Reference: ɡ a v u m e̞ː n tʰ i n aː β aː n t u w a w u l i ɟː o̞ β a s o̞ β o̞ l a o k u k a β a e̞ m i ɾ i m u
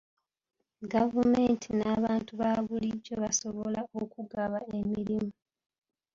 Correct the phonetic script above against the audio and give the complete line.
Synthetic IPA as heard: ɡ a v u m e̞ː n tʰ i n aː β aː n t u β a β u l i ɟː o̞ β a s o̞ β o̞ l a o k u ɡ a β a e̞ m i ɾ i m u

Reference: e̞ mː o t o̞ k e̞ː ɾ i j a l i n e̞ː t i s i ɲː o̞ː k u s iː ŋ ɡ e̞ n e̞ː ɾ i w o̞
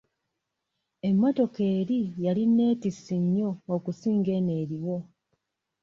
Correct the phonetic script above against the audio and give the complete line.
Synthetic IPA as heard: e̞ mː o t o̞ k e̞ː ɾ i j a l i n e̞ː t i s i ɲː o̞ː k u s iː ŋ ɡ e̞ n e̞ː ɾ i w o̞

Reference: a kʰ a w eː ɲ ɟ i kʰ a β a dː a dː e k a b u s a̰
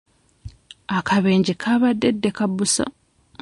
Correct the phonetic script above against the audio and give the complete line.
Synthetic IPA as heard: a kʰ a β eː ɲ ɟ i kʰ a β a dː e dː e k a b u s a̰

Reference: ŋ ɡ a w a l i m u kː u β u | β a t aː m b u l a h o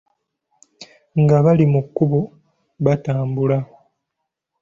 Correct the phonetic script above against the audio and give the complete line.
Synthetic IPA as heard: ŋ ɡ a β a l i m u kː u β u | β a t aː m b u l a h o

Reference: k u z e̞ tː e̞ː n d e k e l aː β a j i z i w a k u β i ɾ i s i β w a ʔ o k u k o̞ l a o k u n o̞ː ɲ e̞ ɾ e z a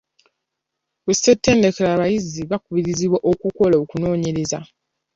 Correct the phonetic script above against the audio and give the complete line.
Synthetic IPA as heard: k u s e̞ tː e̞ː n d e k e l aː β a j i z i β a k u β i ɾ i z i β w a ʔ o k u k o̞ l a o k u n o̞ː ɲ e̞ ɾ e z a

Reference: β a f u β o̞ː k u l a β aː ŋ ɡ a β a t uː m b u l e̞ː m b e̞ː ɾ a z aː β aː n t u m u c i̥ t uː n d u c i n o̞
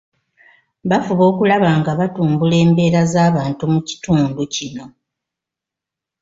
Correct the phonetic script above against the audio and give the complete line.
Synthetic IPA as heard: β a f u β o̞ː k u l a β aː ŋ ɡ a β a t uː m b u l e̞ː m b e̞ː ɾ a z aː β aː n t u m u c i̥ t uː n d u c i n o̞

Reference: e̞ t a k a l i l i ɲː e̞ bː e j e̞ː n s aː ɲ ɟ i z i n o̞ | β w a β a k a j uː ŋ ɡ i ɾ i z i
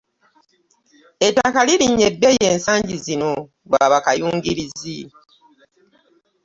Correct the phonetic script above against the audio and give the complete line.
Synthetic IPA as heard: e̞ t a k a l i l i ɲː e̞ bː e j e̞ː n s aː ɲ ɟ i z i n o̞ | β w a β a k a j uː ŋ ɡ i ɾ i z i

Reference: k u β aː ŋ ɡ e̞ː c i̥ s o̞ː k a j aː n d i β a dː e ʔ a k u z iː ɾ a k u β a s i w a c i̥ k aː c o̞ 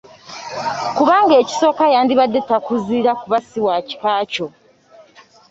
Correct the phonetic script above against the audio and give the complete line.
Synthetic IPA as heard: k u β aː ŋ ɡ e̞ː c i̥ s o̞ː k a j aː n d i β a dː e t a k u z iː ɾ a k u β a s i w a c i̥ k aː c o̞

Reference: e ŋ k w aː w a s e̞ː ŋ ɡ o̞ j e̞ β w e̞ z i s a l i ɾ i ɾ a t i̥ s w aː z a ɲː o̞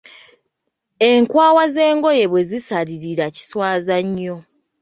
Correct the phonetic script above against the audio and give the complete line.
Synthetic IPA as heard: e ŋ k w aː w a z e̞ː ŋ ɡ o̞ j e̞ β w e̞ z i s a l i ɾ i ɾ a c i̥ s w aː z a ɲː o̞

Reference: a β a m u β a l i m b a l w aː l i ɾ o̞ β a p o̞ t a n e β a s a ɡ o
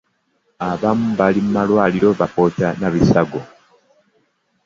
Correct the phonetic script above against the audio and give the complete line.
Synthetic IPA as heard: a β a m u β a l i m m a l w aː l i ɾ o̞ β a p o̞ t a n a β i s a ɡ o

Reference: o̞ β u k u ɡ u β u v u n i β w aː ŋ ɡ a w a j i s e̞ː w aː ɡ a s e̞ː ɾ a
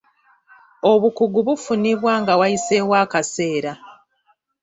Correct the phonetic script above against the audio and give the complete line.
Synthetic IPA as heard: o̞ β u k u ɡ u β u f u n i β w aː ŋ ɡ a w a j i s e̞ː w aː k a s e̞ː ɾ a

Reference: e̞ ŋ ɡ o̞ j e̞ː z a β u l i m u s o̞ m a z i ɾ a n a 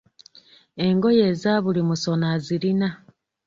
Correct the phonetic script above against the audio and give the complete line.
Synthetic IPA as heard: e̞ ŋ ɡ o̞ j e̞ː z a β u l i m u s o̞ n a z i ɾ i n a

